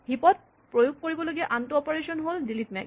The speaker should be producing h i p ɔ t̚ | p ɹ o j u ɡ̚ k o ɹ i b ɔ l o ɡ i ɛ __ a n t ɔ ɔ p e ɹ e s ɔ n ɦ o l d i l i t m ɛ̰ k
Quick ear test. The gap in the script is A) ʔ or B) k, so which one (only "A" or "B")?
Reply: A